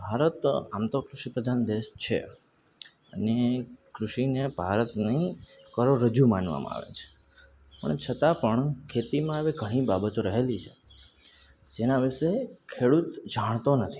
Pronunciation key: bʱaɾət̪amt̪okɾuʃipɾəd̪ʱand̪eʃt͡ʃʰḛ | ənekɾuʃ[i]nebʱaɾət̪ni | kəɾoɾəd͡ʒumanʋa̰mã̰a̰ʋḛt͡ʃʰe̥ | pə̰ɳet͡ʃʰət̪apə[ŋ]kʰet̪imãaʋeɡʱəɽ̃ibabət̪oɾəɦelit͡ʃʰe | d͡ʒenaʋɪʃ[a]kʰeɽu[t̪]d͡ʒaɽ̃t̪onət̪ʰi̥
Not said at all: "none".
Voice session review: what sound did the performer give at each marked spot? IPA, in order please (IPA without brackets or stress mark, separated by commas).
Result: i, ɳ, e, t̪